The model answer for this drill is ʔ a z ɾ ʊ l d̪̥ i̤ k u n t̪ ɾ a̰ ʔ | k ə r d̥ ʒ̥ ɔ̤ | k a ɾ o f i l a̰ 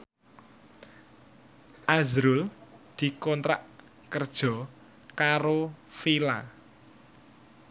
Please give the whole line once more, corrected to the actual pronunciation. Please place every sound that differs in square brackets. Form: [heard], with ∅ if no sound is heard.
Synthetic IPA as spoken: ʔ a z ɾ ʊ l d̪̥ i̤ k [ɔ] n t̪ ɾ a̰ ʔ | k ə r d̥ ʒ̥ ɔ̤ | k a ɾ o f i l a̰